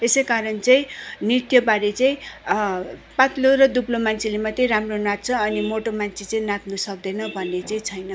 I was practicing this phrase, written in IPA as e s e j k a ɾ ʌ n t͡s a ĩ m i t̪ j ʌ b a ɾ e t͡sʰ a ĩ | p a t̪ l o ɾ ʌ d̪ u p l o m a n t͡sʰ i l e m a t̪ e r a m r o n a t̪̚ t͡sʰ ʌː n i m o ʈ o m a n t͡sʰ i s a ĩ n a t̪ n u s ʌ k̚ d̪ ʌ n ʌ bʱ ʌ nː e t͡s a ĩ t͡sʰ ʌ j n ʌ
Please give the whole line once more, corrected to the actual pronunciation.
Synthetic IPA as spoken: e s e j k a ɾ ʌ n t͡s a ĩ n i t̪ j ʌ b a ɾ e t͡s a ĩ | p a t̪ l o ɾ ʌ d̪ u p l o m a n t͡sʰ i l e m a t̪ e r a m r o n a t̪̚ t͡sʰ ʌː n i m o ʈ o m a n t͡sʰ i t͡s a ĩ n a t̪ n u s ʌ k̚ d̪ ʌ n ʌ bʱ ʌ nː e t͡s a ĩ t͡sʰ ʌ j n ʌ

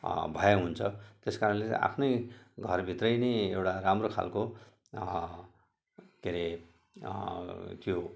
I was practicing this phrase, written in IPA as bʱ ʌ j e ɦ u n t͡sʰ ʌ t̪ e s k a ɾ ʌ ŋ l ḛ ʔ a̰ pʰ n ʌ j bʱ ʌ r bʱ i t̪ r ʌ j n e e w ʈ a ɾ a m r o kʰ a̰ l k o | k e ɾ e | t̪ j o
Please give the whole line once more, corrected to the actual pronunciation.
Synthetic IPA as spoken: bʱ ʌ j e ɦ u n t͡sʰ ʌ t̪ e s k a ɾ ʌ n l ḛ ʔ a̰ pʰ n ʌ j ɡʱ ʌ r bʱ i t̪ r ʌ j n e e w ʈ a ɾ a m r o kʰ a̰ l k o | k e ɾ e | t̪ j o

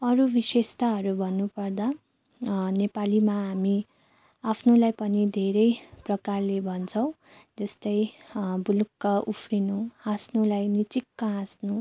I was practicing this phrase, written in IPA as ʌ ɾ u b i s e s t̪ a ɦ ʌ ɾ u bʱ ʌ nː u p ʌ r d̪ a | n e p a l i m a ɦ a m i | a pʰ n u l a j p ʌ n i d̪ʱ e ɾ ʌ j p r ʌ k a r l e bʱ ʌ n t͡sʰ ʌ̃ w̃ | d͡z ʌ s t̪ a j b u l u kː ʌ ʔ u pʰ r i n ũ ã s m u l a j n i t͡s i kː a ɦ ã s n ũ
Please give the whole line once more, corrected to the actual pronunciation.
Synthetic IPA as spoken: ʌ ɾ u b i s e s t̪ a ɦ ʌ ɾ u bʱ ʌ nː u p ʌ r d̪ a | n e p a l i m a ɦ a m i | a pʰ n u l a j p ʌ n i d̪ʱ e ɾ ʌ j p r ʌ k a r l e bʱ ʌ n t͡sʰ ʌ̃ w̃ | d͡z ʌ s t̪ ʌ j b u l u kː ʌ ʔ u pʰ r i n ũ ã s n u l a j n i t͡s i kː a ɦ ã s n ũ

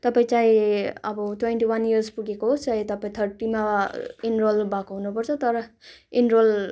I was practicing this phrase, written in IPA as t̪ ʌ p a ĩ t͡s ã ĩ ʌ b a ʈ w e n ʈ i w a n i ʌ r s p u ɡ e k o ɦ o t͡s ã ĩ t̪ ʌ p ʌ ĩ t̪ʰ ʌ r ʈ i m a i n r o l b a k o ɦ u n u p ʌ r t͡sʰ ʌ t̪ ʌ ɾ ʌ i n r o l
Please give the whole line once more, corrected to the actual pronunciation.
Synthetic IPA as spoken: t̪ ʌ p a ĩ t͡s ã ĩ ʌ b ʌ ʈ w e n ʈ i w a n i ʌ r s p u ɡ e k o ɦ o t͡s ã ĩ t̪ ʌ p a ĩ t̪ʰ ʌ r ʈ i m a i n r o l b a k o ɦ u n u p ʌ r t͡sʰ ʌ t̪ ʌ ɾ ʌ i n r o l

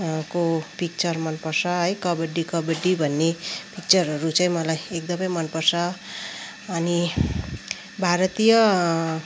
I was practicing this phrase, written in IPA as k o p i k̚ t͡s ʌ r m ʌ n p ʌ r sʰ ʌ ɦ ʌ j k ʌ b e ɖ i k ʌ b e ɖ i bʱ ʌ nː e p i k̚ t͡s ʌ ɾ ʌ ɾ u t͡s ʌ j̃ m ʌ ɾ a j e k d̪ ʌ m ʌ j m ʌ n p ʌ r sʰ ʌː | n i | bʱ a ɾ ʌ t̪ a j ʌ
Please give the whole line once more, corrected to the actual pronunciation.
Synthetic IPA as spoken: k o p i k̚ t͡s ʌ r m ʌ n p ʌ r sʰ ʌ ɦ ʌ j k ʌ b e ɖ i k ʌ b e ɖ i bʱ ʌ nː e p i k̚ t͡s ʌ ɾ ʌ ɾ u t͡s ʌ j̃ m ʌ l a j e k d̪ ʌ m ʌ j m ʌ n p ʌ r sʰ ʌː | n i | bʱ a ɾ ʌ t̪ i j ʌ

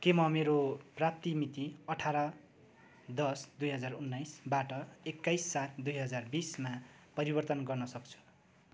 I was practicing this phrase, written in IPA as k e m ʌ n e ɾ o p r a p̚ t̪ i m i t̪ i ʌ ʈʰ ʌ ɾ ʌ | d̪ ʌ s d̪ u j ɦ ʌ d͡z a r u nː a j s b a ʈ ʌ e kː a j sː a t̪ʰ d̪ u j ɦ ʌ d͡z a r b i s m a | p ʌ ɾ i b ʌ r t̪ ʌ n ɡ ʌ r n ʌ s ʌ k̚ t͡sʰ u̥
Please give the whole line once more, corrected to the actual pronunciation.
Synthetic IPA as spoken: k e m ʌ m e ɾ o p r a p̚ t̪ i m i t̪ i ʌ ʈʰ a ɾ ʌ | d̪ ʌ s d̪ u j ɦ ʌ d͡z a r u nː a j s b a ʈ ʌ e kː a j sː a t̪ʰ d̪ u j ɦ ʌ d͡z a r b i s m a | p ʌ ɾ i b ʌ r t̪ ʌ n ɡ ʌ r n ʌ s ʌ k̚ t͡sʰ u̥

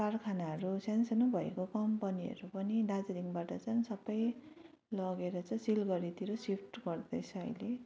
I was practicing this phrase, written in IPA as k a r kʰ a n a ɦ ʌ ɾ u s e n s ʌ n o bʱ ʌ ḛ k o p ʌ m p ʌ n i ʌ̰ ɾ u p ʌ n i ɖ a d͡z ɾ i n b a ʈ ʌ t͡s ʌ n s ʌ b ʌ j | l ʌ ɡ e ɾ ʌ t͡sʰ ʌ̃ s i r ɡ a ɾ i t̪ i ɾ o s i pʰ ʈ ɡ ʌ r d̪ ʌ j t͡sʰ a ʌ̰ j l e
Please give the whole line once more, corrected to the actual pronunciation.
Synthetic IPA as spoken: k a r kʰ a n a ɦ ʌ ɾ u s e n s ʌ n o bʱ ʌ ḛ k o k ʌ m p ʌ n i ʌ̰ ɾ u p ʌ n i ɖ a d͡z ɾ i ŋ b a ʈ ʌ t͡s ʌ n s ʌ b ʌ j | l ʌ ɡ e ɾ ʌ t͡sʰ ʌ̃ s i l ɡ ʌ ɾ i t̪ i ɾ o s i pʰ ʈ ɡ ʌ r d̪ ʌ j t͡sʰ ʌ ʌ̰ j l e

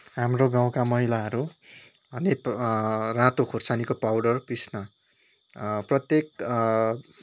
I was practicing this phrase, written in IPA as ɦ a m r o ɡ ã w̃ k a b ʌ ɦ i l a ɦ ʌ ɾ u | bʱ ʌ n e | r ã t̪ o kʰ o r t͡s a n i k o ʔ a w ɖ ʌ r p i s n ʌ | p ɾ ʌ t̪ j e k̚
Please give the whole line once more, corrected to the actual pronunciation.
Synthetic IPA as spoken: ɦ a m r o ɡ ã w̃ k a m ʌ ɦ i l a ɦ ʌ ɾ u | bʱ ʌ n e | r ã t̪ o kʰ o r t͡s a n i k o p a w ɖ ʌ r p i s n ʌ | p r ʌ t̪ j e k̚

